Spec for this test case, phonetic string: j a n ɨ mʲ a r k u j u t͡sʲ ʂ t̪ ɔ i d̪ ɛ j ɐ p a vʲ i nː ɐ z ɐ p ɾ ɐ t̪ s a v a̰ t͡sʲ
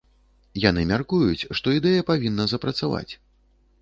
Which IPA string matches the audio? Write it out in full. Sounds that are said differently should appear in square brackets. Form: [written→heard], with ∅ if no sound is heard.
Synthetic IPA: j a n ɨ mʲ a r k u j u t͡sʲ ʂ t̪ ɔ i d̪ ɛ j ɐ p a vʲ i nː ɐ z ɐ p ɾ ɐ t̪ s a v a̰ t͡sʲ